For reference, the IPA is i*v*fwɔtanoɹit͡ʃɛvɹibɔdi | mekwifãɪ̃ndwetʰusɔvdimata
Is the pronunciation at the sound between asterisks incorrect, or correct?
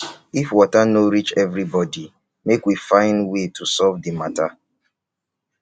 incorrect